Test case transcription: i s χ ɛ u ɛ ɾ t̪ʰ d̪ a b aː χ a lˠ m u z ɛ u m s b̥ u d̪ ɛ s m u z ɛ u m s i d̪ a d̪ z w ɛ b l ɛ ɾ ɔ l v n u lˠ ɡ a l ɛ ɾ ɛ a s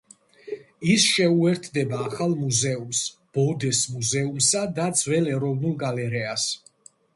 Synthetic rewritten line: i s ʃ ɛ u ɛ ɾ t̪ʰ d̪ ɛ b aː χ a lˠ m u z ɛ u m s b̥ ɔ d̪ ɛ s m u z ɛ u m s a d̪ a d̪ z w ɛ l ɛ ɾ ɔ v n u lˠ ɡ a l ɛ ɾ ɛ a s